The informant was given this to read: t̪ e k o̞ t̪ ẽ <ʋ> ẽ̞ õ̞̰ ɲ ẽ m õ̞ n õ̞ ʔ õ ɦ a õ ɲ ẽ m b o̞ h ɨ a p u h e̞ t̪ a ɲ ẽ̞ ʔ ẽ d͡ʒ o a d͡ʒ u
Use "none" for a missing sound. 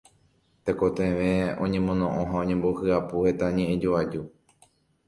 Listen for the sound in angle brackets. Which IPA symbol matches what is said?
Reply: ʋ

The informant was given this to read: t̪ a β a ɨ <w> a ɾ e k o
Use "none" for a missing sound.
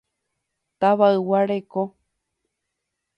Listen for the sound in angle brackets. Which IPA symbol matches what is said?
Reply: w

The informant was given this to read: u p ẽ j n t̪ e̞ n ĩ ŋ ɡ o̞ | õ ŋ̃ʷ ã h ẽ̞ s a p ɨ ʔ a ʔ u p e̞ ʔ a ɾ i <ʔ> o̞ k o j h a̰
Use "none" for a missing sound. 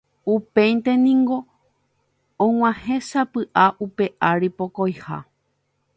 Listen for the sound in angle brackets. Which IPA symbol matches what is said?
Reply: p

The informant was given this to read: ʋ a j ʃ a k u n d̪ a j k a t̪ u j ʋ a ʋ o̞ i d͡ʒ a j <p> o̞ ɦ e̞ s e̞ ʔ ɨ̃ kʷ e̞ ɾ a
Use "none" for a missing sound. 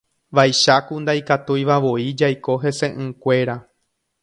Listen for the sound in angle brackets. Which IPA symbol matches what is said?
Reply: k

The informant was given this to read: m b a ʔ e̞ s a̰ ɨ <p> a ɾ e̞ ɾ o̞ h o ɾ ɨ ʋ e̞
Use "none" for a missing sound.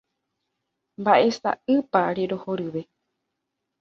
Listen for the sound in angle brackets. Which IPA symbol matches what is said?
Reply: p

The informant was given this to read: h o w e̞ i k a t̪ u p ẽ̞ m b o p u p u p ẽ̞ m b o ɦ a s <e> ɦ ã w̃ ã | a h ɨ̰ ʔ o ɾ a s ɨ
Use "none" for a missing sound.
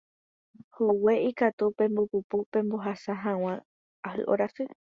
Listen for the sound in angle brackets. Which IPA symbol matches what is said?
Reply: a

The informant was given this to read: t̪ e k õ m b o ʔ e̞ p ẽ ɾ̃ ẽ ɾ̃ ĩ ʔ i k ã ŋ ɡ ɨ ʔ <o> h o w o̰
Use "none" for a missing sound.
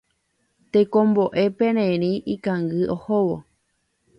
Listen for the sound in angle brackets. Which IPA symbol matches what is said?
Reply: o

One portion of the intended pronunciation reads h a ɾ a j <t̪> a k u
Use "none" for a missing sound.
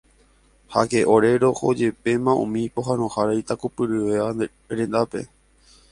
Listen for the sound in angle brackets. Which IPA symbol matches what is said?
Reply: t̪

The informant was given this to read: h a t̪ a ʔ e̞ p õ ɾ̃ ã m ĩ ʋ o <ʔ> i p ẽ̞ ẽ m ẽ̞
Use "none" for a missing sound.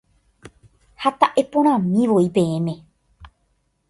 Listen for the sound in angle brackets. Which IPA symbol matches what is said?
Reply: none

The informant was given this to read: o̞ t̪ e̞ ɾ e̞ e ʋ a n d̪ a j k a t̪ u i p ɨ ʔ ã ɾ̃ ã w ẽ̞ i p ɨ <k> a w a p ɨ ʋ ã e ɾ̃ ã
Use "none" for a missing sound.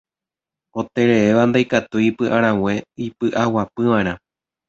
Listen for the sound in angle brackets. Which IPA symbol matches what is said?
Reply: ʔ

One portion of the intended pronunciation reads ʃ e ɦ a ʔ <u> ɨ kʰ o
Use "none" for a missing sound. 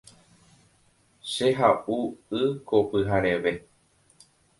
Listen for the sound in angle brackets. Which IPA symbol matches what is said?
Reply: u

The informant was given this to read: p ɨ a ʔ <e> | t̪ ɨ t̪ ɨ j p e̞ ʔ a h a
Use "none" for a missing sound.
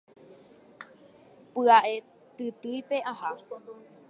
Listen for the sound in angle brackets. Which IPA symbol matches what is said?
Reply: e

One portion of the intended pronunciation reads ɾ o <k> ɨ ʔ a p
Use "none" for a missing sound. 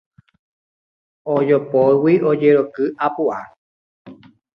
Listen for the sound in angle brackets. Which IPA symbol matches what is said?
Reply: k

